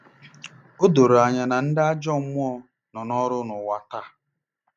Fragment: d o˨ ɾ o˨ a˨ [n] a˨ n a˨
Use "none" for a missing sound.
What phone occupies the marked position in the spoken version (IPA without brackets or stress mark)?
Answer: ɲ